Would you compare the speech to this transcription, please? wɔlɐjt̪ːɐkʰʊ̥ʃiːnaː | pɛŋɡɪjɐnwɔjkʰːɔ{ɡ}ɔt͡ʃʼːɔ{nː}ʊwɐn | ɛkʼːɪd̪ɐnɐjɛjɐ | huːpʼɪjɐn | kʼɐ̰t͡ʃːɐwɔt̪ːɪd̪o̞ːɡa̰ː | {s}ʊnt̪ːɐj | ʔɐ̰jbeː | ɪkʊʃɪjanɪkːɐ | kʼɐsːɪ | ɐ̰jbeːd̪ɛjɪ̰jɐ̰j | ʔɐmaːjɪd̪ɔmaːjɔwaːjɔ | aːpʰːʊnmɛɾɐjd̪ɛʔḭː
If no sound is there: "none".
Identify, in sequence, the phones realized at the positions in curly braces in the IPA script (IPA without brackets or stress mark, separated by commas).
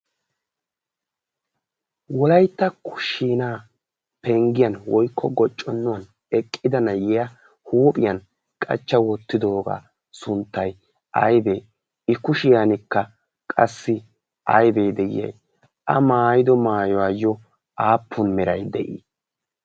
ɡ, nː, s